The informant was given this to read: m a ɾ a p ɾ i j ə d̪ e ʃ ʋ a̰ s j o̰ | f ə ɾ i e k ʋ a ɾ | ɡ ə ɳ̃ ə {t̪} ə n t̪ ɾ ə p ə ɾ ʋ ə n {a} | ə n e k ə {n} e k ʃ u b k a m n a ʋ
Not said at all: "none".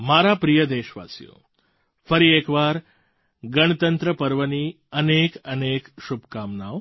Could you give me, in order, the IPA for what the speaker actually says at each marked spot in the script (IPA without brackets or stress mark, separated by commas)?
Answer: t̪, i, n